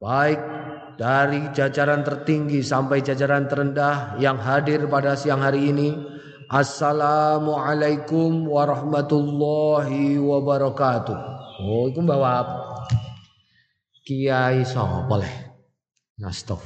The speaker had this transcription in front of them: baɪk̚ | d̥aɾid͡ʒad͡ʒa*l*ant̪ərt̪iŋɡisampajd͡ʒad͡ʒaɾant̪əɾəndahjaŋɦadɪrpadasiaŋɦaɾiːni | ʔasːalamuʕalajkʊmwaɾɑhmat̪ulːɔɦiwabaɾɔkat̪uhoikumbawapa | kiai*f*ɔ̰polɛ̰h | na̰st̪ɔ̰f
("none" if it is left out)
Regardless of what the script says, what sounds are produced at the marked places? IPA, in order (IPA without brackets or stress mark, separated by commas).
ɾ, s